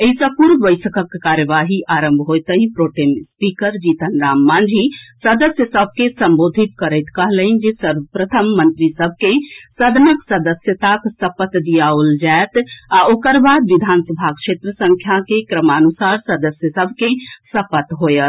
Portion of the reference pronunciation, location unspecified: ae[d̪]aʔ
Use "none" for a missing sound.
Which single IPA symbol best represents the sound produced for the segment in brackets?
t̪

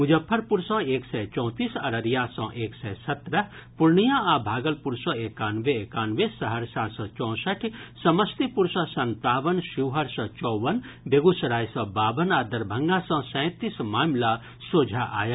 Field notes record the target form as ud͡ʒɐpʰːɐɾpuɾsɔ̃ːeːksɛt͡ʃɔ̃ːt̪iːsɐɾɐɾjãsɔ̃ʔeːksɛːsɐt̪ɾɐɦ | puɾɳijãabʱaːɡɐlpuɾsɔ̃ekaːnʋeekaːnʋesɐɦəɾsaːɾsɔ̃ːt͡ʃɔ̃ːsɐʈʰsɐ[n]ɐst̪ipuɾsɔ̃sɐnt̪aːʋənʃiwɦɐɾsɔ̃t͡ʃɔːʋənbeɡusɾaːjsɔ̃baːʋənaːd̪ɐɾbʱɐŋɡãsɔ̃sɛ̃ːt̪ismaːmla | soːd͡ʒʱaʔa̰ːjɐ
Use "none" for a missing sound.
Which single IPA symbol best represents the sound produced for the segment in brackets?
m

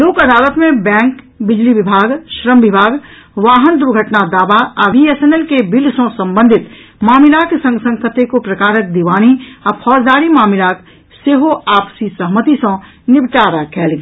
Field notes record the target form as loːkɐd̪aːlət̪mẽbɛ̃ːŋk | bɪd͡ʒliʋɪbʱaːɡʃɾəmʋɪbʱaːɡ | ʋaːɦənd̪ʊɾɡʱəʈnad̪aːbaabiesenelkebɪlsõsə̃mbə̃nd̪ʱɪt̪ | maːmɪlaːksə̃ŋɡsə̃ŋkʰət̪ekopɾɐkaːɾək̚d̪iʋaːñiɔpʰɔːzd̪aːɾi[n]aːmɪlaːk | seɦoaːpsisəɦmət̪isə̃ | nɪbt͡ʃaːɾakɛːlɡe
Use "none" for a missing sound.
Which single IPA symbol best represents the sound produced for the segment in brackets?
m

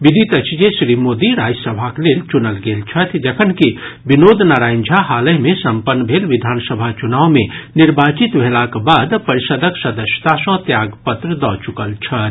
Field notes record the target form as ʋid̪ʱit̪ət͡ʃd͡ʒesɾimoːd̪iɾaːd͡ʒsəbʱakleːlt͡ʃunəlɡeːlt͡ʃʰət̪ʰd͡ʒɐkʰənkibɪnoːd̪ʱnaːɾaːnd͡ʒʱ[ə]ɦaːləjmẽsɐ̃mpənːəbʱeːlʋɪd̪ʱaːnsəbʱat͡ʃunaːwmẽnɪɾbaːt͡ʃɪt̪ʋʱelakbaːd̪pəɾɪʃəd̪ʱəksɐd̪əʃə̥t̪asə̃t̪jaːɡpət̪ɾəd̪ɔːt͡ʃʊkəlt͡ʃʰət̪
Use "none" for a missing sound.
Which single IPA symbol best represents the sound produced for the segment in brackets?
a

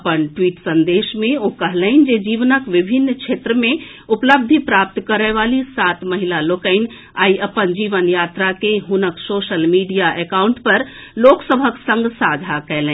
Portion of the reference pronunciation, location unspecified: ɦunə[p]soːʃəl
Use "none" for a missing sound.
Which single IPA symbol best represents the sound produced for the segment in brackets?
k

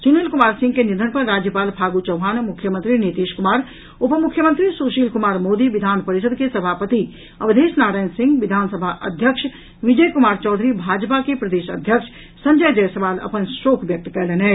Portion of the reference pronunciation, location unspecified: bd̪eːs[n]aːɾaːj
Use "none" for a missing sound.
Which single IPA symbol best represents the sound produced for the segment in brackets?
n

